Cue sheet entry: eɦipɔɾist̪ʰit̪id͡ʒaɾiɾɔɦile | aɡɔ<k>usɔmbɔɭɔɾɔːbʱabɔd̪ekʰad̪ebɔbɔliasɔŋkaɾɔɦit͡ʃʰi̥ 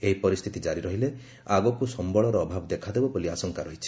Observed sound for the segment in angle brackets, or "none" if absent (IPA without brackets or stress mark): k